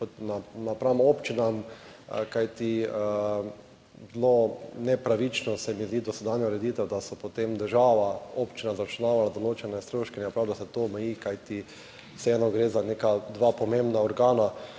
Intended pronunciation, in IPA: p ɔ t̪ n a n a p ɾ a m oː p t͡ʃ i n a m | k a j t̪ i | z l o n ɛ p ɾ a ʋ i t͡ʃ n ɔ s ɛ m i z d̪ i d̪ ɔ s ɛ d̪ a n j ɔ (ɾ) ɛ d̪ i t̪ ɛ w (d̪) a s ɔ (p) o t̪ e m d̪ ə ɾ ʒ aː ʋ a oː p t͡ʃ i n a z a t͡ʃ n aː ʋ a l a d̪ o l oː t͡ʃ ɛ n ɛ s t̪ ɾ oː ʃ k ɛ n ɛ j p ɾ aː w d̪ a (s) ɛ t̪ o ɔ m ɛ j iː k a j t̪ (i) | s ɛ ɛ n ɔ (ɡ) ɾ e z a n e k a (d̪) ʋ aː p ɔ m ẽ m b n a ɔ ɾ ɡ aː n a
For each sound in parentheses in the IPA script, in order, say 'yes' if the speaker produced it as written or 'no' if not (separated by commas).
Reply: yes, yes, yes, yes, yes, yes, yes